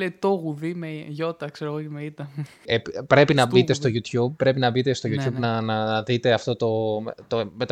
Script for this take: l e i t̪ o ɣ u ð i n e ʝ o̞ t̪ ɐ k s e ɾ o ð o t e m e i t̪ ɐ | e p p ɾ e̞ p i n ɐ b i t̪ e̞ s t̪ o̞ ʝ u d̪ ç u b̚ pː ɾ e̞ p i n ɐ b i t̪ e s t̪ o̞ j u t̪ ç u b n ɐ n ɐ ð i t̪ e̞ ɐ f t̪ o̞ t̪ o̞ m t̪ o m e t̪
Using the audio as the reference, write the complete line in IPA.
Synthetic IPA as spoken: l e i t̪ o ɣ u ð i m e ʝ o̞ t̪ ɐ k s e ɾ o ɣ o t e m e i t̪ ɐ | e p p ɾ e̞ p i n ɐ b i t̪ e̞ s t̪ o̞ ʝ u t̪ ç u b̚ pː ɾ e̞ p i n ɐ b i t̪ e s t̪ o̞ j u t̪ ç u b n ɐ n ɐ ð i t̪ e̞ ɐ f t̪ o̞ t̪ o̞ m t̪ o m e t̪